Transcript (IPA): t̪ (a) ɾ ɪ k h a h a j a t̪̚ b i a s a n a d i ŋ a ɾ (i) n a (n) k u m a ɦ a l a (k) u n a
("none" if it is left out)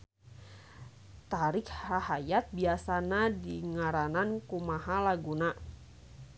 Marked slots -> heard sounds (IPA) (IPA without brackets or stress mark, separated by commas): a, a, n, ɡ